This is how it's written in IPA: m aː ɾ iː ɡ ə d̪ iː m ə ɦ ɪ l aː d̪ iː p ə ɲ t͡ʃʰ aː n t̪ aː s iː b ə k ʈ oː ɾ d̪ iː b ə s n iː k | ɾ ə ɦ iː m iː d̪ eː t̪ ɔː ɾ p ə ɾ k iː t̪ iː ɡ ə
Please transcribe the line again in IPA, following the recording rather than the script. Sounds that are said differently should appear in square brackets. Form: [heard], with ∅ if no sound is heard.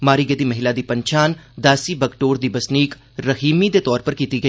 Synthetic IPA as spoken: m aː ɾ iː ɡ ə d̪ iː m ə ɦ ɪ l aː d̪ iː p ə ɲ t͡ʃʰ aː n [d̪] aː s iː b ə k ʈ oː ɾ d̪ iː b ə s n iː k | ɾ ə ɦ iː m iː d̪ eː t̪ ɔː ɾ p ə ɾ k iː t̪ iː ɡ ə